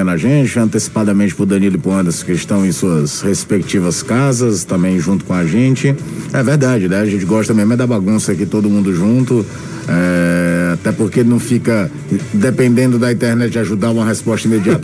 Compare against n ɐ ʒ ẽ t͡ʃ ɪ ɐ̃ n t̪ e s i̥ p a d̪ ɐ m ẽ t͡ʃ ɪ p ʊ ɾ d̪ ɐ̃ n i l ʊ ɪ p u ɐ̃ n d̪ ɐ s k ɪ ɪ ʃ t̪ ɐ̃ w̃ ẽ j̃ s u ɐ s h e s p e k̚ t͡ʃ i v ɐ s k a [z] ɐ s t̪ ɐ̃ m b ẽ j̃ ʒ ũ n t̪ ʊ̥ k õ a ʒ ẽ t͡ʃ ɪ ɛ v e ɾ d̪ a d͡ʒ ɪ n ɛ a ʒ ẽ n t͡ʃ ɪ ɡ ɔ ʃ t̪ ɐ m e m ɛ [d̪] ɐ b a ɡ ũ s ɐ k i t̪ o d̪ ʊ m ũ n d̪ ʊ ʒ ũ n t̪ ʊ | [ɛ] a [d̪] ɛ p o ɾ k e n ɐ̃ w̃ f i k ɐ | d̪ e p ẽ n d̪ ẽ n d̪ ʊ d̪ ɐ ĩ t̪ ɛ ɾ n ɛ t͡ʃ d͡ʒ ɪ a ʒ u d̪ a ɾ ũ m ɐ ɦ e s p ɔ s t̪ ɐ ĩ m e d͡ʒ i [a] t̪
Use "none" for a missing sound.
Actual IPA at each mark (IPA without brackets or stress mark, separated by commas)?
z, d̪, ɛ, t̪, a